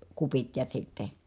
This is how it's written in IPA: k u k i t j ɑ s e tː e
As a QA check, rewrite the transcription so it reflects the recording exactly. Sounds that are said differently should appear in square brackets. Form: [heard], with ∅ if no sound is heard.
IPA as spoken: k u [p] i t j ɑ s [i] tː e

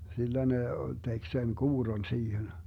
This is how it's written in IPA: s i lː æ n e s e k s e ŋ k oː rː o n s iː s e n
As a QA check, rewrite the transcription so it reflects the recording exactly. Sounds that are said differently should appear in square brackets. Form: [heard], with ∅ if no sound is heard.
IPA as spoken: s i lː æ n e [t] e k s e [n] k [uː] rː o n s iː [h] e n

